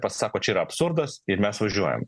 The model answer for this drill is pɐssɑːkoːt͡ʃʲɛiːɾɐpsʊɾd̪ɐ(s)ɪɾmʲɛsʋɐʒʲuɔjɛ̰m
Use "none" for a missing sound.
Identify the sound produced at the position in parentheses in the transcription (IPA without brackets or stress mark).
s